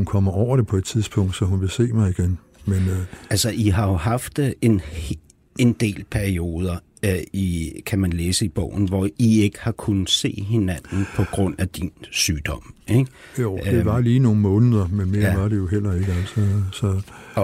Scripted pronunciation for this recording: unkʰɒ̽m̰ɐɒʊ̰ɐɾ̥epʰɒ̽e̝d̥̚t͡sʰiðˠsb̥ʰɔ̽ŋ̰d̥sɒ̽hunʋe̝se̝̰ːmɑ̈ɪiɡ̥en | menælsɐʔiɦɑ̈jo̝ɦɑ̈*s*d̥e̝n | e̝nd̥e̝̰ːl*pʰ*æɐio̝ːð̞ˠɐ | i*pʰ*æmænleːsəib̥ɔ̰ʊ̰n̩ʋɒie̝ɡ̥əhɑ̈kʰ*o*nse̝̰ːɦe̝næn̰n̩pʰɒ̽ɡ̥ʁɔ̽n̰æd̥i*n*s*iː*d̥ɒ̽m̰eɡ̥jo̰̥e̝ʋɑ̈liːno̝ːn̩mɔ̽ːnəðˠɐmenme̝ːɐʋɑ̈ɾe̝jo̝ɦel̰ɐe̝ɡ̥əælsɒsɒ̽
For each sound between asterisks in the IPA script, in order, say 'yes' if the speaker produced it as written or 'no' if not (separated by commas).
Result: no, yes, no, no, yes, no